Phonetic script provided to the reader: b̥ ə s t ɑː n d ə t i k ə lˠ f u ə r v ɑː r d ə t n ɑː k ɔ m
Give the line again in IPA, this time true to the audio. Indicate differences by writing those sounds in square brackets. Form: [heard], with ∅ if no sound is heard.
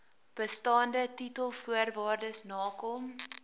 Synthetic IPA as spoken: b̥ ə s t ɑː n d ə t i [t] ə lˠ f u ə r v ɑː r d ə [s] n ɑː k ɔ m